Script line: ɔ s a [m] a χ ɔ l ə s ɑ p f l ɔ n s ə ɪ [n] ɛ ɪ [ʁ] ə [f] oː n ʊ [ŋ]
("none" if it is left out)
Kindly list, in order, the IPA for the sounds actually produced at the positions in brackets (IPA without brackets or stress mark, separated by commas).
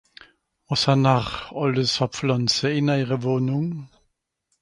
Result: n, n, ʁ, v, ŋ